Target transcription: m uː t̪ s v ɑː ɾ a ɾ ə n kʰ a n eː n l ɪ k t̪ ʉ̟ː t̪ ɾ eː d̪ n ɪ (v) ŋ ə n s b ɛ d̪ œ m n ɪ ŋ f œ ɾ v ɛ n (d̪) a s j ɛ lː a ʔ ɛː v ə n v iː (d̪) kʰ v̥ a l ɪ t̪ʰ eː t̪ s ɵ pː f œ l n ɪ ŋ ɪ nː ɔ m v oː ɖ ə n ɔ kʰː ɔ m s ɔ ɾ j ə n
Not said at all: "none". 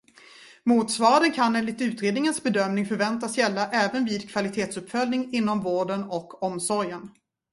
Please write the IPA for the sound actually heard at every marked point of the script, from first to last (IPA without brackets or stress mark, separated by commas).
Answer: none, t̪, d̪